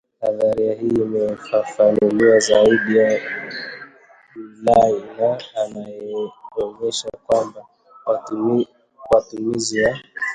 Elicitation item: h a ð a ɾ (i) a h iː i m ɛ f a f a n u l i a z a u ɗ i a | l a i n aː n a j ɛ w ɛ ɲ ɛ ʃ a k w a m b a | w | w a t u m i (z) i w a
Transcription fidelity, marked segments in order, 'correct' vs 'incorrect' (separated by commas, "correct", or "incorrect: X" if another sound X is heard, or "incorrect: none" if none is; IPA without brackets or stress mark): correct, correct